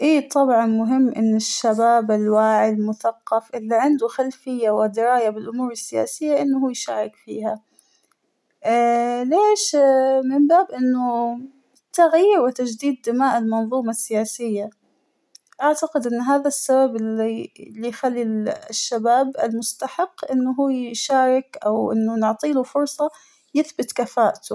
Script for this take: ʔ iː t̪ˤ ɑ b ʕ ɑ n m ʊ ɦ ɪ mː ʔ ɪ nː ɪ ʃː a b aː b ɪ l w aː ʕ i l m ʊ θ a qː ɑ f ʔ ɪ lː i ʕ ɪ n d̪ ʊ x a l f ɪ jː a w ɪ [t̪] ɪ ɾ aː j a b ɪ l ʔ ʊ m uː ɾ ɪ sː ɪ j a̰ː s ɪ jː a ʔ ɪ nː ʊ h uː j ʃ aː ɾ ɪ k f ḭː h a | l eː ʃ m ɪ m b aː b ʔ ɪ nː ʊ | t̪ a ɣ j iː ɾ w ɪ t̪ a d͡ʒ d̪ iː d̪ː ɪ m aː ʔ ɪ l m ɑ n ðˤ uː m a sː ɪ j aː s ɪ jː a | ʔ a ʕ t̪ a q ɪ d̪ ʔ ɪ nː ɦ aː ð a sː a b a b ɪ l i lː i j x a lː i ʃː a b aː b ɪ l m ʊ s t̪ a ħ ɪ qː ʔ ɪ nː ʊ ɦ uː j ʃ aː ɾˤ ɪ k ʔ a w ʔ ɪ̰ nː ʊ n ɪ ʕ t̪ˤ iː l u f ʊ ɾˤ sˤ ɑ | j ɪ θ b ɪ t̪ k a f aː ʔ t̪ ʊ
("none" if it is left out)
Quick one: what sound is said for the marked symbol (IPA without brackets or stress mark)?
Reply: d̪